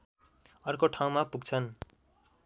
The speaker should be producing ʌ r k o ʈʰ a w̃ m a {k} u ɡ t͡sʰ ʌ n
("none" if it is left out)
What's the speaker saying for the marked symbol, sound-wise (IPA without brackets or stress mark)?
p